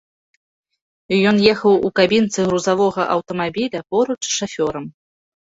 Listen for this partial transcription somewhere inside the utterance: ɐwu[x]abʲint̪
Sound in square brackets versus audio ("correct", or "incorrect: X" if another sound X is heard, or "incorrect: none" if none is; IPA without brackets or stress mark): incorrect: k